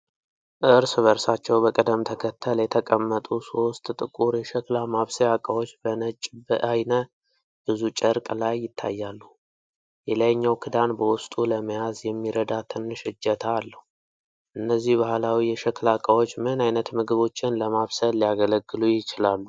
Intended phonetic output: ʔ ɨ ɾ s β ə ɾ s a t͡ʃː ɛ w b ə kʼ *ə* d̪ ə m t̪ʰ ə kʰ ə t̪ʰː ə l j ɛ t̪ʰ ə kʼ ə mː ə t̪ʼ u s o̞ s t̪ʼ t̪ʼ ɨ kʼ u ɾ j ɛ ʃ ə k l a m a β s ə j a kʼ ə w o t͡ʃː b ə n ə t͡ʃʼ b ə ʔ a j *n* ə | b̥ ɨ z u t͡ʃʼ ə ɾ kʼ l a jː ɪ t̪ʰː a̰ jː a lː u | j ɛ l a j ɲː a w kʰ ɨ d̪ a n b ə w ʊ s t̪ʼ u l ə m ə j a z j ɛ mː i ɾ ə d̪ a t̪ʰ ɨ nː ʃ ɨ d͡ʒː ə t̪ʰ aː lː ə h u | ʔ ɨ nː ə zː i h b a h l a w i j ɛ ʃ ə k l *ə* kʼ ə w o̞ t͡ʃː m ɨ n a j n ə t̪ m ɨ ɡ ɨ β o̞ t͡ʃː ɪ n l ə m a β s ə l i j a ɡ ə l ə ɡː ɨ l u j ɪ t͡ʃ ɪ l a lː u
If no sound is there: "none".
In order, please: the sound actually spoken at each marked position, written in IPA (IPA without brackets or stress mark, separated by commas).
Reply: ə, n, a